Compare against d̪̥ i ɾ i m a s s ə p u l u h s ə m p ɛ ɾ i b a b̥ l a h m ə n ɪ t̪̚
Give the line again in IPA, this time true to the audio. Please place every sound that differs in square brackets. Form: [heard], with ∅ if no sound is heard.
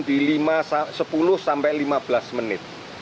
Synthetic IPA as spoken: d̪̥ i [l] i m a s s ə p u l [ʊ] h s [a] m p ɛ [l] i [m] a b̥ l a [s] m ə n ɪ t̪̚

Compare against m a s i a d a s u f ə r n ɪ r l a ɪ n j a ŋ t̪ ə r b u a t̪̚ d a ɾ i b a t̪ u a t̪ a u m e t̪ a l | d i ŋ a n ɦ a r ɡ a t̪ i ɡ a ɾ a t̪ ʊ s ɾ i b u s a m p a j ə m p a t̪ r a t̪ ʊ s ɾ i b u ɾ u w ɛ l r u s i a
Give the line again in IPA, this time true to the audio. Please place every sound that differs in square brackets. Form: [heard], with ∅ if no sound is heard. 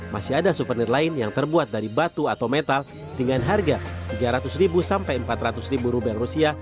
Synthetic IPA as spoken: m a s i a d a s u f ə r n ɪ r l a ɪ n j a ŋ t̪ ə r b u a t̪̚ d a ɾ i b a t̪ u a t̪ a [w] m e t̪ a l | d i ŋ a n ɦ a r ɡ a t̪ i ɡ a ɾ a t̪ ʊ s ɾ i b u s a m p a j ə m p a t̪ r a t̪ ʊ s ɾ i b u ɾ u [b] ɛ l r u s i a

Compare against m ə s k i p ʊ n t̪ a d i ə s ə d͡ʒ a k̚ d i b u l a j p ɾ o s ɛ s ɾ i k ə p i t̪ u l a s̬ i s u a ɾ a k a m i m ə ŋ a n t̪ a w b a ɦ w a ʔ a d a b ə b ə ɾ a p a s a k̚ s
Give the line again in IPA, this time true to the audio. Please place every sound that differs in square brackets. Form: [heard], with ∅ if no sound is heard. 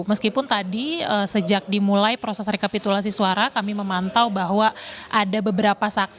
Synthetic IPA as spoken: m ə s k i p ʊ n t̪ a d i ə s ə d͡ʒ a k̚ d i [m] u l a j p ɾ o s ɛ s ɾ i k [a] p i t̪ u l a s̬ i s u a ɾ a k a m i m ə [m] a n t̪ a w b a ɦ w a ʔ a d a b ə b ə ɾ a p a s a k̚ s

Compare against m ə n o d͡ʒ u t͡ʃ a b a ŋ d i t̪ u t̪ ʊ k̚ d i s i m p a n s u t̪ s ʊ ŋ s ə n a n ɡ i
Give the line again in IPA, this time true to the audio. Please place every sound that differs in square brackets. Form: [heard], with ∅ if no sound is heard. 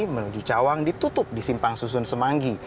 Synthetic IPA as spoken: m ə n [u] d͡ʒ u t͡ʃ a [w] a ŋ d i t̪ u t̪ ʊ [p̚] d i s i m p a [ŋ] s u [∅] s ʊ [n] s ə [m] a [ŋ] ɡ i

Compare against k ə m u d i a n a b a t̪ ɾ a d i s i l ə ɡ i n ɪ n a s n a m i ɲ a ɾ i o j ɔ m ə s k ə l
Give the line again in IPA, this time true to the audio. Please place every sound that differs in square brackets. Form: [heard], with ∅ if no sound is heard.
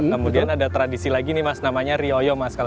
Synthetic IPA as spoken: k ə m u d i a n a [d] a t̪ ɾ a d i s i l [a] ɡ i n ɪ [m] a s n a m [a] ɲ a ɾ i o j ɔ m [a] s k [a] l

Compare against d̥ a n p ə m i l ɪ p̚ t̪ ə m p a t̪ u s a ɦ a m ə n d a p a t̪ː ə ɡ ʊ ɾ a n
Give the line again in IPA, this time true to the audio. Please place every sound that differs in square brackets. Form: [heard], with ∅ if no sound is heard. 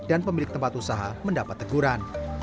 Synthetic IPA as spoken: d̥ a n p ə m i l ɪ [k̚] t̪ ə m p a t̪ u s a ɦ a m ə n d a p a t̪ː ə ɡ [u] ɾ a n

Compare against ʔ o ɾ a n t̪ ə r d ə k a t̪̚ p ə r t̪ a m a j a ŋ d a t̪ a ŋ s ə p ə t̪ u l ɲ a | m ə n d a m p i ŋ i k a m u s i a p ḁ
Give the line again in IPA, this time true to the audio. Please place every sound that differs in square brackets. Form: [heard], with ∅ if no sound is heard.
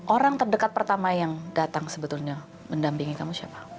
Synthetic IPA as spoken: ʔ o ɾ a [ŋ] t̪ ə r d ə k a t̪̚ p ə r t̪ a m a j a ŋ d a t̪ a ŋ s ə [b] ə t̪ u l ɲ a | m ə n d a m p i ŋ i k a m u s i a p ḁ

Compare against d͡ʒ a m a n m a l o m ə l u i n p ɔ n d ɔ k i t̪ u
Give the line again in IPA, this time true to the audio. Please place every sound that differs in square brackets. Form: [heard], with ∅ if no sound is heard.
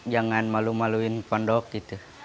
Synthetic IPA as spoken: d͡ʒ a [ŋ] a n m a l [u] m [a] l u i n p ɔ n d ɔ k i t̪ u

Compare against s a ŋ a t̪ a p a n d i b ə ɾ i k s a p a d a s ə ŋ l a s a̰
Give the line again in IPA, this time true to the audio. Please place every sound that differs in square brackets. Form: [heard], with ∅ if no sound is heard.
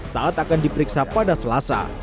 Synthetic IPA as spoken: s a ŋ a t̪ a [k] a n d i [p] ə ɾ i k s a p a d a s ə [∅] l a s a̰

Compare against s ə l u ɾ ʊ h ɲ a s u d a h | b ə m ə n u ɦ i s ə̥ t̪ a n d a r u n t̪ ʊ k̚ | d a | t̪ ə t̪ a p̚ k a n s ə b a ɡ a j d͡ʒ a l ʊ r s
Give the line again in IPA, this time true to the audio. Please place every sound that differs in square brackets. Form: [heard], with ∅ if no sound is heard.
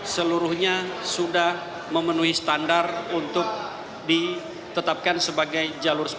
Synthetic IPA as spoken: s ə l u ɾ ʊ h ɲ a s u d a h | [m] ə m ə n u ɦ i s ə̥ t̪ a n d a r u n t̪ ʊ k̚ | d [i] | t̪ ə t̪ a p̚ k a n s ə b a ɡ a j d͡ʒ a l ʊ r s

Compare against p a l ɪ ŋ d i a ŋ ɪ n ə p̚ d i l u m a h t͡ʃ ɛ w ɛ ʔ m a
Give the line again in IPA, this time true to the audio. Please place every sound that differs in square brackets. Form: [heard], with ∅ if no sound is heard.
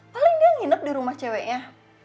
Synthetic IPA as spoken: p a l ɪ ŋ d i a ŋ [i] n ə p̚ d i [ɾ] u m a h t͡ʃ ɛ w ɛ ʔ [ɲ] a

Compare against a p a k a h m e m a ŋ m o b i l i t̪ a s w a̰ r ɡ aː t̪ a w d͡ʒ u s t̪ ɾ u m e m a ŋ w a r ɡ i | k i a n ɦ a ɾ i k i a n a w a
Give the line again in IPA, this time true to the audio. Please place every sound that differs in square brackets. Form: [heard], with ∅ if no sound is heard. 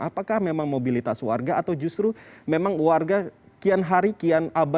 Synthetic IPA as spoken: a p a k a h m e m a ŋ m o b i l i t̪ a s w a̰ r ɡ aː t̪ a w d͡ʒ u s t̪ ɾ u m e m a ŋ w a r ɡ [a] | k i a n ɦ a ɾ i k i a n a [b] a

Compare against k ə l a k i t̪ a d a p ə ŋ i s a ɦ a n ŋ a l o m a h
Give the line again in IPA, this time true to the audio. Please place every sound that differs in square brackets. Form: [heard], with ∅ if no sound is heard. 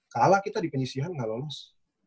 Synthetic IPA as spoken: k [a] l a k i t̪ a d [i] p ə [ɲ] i s [i] ɦ a n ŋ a l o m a [s]

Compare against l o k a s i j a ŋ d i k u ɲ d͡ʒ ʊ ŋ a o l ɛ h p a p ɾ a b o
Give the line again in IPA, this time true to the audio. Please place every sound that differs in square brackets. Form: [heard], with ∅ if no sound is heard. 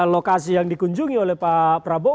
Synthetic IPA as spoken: l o k a s i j a ŋ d i k u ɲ d͡ʒ [u] ŋ [i] o l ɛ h p a p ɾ a b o

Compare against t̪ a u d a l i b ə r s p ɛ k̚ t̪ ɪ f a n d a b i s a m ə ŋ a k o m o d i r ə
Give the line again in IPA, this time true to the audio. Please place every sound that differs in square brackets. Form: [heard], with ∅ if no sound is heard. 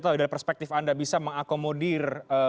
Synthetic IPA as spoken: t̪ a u d a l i [p] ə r s p ɛ k̚ t̪ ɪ f a n d a b i s a m ə ŋ a k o m o d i r ə

